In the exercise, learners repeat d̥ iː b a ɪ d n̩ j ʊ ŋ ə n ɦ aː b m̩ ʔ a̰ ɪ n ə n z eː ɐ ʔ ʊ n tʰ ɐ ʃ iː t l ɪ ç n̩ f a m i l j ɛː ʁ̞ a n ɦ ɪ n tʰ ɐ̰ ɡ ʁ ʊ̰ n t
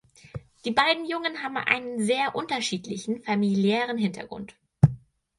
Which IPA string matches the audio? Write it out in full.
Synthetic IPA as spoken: d̥ iː b a ɪ d n̩ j ʊ ŋ ə n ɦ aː b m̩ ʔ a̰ ɪ n ə n z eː ɐ ʔ ʊ n t ɐ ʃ iː t l ɪ ç n̩ f a m i l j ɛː ʁ̞ ə n ɦ ɪ n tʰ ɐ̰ ɡ ʁ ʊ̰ n t